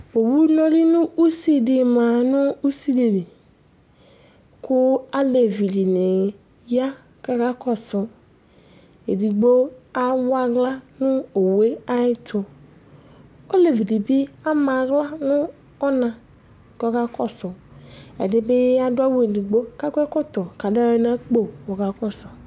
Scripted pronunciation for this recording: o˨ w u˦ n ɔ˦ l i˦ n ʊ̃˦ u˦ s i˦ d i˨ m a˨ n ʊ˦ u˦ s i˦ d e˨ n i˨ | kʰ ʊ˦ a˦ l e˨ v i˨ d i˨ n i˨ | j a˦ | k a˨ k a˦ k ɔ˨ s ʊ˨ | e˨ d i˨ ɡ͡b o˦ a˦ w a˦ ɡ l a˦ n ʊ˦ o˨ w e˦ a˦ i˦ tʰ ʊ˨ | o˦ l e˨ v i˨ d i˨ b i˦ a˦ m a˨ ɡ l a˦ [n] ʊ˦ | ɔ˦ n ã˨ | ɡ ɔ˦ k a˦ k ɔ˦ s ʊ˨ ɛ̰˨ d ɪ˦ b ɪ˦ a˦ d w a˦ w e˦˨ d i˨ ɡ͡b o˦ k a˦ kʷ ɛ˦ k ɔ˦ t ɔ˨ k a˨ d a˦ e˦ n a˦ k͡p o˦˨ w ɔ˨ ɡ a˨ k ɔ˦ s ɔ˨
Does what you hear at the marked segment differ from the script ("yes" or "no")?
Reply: no